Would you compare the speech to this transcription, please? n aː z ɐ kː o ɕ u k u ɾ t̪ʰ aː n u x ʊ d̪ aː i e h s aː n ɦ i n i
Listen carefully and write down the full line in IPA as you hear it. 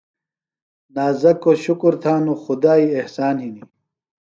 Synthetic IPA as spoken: n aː z ɐ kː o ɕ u k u ɾ t̪ʰ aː n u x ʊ d̪ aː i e h s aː n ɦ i n i